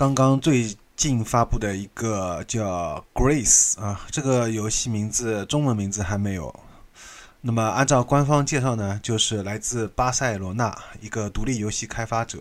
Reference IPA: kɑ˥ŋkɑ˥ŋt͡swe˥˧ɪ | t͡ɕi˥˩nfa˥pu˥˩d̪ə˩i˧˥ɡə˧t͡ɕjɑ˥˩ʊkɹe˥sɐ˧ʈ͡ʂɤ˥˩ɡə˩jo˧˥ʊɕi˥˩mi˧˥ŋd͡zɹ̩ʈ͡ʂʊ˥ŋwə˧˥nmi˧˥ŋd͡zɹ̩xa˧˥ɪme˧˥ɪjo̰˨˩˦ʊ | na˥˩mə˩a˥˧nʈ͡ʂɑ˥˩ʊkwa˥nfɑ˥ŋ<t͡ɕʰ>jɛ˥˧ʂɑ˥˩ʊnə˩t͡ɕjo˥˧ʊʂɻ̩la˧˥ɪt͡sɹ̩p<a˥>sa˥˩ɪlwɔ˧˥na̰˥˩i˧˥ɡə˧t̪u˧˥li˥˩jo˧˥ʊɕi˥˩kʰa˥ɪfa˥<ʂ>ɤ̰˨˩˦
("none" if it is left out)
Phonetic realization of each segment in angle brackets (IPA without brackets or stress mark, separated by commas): t͡ɕ, a˥, ʈ͡ʂ